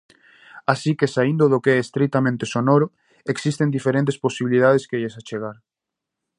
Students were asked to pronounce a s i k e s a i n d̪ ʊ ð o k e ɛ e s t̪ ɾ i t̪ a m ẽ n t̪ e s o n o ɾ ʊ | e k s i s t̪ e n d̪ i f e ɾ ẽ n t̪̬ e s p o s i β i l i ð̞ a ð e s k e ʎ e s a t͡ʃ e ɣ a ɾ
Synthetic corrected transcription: a s i k e s a i n d̪ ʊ ð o k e ɛ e s t̪ ɾ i t̪ a m ẽ n t̪ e s o n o ɾ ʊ | e k s i s t̪ e n d̪ i f e ɾ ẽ n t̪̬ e s p o s i β i l i ð̞ a ð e s k e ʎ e s a t͡ʃ e ɣ a ɾ